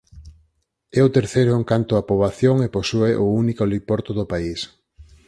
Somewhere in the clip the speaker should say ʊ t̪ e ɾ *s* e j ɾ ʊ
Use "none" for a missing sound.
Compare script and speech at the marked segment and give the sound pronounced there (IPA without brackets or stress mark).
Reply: θ